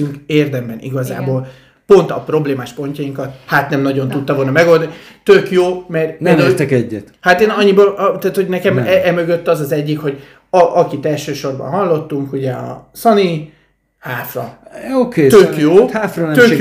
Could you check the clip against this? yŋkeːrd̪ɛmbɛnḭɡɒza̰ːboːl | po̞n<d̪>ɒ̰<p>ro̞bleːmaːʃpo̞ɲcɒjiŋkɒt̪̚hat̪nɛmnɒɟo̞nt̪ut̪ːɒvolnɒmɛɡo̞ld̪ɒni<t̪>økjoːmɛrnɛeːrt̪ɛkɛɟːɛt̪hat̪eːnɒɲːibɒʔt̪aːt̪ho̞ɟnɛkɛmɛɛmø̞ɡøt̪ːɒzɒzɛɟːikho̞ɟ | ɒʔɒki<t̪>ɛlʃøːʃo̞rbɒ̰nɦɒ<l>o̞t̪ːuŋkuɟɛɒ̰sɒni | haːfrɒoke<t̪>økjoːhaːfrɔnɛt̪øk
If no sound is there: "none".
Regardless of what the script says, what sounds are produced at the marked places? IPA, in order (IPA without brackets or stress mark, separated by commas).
t̪, p, t̪, t̪, lː, t̪